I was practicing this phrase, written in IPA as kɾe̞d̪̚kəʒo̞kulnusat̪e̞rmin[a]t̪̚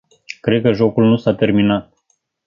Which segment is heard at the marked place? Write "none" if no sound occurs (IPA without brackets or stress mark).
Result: a